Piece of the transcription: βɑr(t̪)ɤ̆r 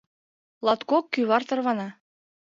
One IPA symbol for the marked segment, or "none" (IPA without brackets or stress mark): t̪